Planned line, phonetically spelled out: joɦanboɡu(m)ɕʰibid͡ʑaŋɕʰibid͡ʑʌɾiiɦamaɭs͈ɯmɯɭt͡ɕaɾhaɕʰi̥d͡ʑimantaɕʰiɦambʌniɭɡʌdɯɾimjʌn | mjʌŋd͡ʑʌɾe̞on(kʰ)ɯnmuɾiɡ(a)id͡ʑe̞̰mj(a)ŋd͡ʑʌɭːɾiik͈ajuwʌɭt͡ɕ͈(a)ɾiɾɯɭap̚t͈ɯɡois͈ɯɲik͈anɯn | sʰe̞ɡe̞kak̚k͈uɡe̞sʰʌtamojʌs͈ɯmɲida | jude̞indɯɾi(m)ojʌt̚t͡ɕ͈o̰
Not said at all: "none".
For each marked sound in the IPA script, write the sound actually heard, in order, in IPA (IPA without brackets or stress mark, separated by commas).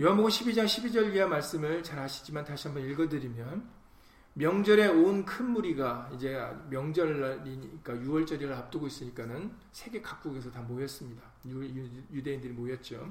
m, kʰ, a, ʌ, ʌ, m